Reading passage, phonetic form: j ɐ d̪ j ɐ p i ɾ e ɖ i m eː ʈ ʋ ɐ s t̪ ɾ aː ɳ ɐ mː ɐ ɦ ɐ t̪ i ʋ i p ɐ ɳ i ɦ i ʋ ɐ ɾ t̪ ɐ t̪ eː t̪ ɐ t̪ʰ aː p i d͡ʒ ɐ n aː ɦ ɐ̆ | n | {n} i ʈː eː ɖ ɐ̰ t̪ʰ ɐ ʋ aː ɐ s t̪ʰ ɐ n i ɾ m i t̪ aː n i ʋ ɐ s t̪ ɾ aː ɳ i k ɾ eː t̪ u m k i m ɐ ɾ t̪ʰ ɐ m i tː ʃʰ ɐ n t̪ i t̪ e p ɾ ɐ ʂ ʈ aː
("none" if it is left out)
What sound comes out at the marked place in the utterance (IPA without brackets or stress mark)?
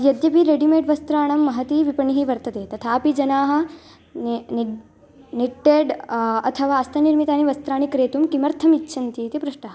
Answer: n